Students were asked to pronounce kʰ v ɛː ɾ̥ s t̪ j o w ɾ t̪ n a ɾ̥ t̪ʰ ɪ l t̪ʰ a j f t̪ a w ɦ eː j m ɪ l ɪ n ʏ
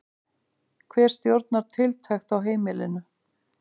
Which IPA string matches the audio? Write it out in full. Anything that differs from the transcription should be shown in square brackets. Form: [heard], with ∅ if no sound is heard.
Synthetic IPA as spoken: kʰ v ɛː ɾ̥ s t̪ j o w ɾ t̪ n a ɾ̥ t̪ʰ ɪ l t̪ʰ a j [x] t̪ a w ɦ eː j m ɪ l ɪ n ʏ